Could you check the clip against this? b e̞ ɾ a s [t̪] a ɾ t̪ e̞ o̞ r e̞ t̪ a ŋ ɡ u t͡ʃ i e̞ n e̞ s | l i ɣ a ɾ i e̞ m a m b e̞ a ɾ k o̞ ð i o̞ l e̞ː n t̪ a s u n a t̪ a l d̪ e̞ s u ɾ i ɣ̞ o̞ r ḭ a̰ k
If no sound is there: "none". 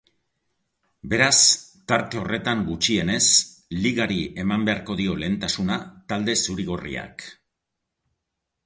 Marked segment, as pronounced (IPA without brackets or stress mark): t̪